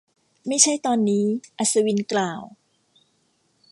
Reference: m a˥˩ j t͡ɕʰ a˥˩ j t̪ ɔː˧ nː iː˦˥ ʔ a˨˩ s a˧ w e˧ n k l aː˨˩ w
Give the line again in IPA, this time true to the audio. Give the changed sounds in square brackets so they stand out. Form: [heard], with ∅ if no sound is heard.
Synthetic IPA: m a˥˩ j t͡ɕʰ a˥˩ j t̪ ɔː˧ nː iː˦˥ ʔ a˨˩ s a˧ w [i˧] n k l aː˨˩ w